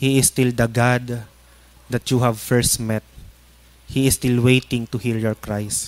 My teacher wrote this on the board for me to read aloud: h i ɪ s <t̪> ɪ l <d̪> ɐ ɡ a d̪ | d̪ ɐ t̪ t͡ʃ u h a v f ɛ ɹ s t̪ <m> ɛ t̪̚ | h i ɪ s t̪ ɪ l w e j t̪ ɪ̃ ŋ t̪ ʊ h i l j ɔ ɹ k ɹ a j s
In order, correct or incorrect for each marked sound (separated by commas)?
correct, correct, correct